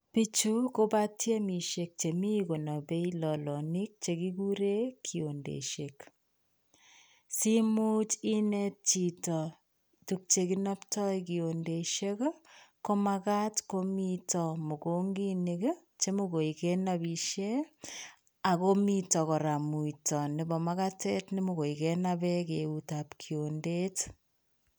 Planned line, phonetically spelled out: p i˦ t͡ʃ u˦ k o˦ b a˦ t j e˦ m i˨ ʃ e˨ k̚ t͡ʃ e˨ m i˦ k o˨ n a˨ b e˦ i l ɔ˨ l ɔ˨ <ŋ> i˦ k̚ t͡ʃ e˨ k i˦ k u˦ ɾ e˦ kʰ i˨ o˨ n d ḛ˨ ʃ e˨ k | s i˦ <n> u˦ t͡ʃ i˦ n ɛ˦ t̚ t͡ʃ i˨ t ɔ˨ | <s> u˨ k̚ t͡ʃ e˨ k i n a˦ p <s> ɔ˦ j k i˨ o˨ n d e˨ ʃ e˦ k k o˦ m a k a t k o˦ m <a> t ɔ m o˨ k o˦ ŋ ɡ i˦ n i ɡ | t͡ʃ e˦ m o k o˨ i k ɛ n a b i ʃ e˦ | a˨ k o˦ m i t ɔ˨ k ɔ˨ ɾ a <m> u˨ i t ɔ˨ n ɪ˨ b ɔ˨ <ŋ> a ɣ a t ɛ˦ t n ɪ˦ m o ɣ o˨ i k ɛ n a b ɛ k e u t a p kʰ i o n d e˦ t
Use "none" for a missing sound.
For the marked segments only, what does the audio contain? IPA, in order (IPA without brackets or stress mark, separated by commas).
n, m, t, t, i, m, m